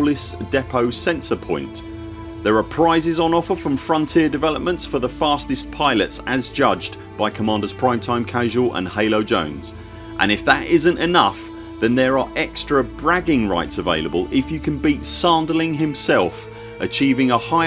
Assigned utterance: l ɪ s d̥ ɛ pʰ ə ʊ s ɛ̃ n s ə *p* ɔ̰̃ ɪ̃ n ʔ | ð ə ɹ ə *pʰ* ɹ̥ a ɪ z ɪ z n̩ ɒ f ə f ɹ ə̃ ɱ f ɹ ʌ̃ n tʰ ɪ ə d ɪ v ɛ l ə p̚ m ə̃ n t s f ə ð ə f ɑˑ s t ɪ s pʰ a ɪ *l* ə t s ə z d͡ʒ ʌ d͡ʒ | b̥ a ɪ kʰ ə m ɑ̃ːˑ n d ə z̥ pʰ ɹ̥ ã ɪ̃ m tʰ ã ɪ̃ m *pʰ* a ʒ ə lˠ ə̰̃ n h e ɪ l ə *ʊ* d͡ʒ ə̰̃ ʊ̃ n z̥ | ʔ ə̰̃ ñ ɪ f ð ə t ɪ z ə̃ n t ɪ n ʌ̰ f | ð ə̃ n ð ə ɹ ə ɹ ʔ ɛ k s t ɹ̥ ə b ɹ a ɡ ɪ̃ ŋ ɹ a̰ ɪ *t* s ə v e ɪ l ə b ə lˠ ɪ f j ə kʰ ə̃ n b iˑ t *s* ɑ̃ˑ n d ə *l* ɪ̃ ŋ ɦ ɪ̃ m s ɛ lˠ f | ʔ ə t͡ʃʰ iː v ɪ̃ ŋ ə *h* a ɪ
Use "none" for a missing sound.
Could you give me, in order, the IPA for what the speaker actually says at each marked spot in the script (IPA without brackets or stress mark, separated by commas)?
pʰ, pʰ, l, kʰ, ʊ, t, s, l, h